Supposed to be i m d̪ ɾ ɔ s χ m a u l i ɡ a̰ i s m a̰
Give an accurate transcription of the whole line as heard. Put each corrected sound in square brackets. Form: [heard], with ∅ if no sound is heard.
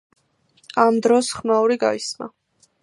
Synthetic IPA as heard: [a] m d̪ ɾ ɔ s χ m a u [ɾ] i ɡ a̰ i s m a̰